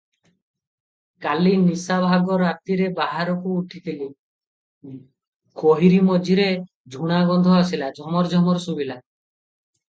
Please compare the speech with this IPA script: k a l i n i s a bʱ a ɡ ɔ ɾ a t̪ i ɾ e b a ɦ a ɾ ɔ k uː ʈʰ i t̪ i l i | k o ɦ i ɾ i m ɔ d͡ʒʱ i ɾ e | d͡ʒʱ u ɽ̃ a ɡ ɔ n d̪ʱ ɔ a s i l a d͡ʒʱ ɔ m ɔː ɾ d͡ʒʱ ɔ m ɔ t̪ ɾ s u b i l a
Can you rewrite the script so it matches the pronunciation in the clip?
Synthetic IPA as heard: k a l i n i s a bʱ a ɡ ɔ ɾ a t̪ i ɾ e b a ɦ a ɾ ɔ k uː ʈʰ i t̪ i l i | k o ɦ i ɾ i m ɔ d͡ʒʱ i ɾ e | d͡ʒʱ u ɽ̃ a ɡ ɔ n d̪ʱ ɔ a s i l a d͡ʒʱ ɔ m ɔ ɾ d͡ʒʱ ɔ m ɔ ɾ s u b i l a